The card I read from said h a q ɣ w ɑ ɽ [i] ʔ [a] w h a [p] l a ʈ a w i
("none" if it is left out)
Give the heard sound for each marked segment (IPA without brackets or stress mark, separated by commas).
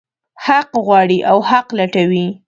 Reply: i, a, q